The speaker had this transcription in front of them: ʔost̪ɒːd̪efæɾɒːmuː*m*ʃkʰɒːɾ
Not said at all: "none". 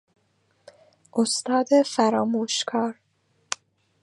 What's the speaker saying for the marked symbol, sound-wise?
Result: none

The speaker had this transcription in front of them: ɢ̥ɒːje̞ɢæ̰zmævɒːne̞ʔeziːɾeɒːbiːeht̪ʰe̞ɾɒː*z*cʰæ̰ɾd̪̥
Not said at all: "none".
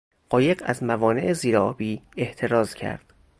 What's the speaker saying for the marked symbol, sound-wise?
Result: z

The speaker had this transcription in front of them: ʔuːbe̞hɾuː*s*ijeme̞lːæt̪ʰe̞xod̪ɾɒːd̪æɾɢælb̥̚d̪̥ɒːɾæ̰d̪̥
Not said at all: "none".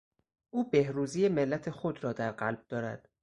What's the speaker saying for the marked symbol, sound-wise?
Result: z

